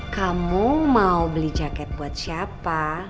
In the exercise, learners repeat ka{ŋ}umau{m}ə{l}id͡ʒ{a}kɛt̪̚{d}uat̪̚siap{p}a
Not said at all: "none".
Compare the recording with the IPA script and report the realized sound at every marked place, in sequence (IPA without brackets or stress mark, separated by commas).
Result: m, b, l, a, b, p